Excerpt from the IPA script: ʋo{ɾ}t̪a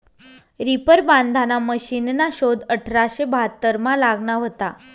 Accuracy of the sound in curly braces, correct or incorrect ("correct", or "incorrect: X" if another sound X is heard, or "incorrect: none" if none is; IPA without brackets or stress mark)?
incorrect: none